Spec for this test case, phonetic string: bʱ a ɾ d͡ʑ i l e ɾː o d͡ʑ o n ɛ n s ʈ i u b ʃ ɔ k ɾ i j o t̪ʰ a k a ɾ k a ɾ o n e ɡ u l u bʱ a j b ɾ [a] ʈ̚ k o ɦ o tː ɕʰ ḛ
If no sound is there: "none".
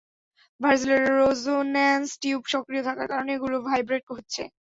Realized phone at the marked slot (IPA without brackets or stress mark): e